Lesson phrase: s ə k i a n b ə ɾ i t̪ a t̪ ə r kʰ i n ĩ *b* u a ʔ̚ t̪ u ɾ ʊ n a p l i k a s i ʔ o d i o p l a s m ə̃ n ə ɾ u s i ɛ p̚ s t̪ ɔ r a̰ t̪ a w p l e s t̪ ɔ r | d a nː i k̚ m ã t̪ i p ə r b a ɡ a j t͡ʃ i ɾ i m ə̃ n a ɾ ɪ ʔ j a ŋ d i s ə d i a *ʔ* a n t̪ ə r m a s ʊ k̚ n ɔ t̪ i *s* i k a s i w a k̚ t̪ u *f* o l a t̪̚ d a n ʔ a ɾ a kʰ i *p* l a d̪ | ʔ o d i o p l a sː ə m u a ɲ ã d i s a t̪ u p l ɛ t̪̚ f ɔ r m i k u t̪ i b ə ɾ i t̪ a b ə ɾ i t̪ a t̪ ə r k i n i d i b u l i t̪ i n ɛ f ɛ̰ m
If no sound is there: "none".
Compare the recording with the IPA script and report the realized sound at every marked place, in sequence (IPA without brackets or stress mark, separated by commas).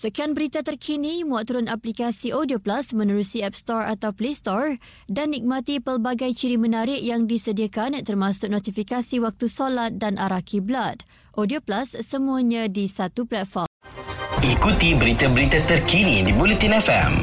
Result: m, k, f, s, b